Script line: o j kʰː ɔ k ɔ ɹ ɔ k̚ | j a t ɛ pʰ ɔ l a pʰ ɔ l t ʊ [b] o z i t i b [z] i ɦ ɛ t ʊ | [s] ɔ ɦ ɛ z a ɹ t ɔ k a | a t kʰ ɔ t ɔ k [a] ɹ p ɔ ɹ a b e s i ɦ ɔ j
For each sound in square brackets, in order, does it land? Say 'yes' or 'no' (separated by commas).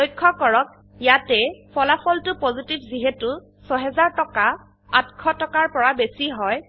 no, yes, yes, yes